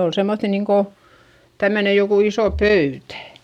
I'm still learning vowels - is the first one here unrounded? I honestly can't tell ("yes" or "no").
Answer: no